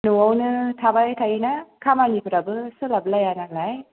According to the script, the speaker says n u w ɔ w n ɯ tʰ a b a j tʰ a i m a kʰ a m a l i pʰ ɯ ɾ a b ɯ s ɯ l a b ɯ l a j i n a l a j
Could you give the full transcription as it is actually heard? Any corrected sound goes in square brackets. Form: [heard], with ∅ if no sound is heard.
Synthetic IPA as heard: n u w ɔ w n ɯ tʰ a b a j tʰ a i [n] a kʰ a m a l i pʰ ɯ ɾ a b ɯ s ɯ l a b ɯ l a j [a] n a l a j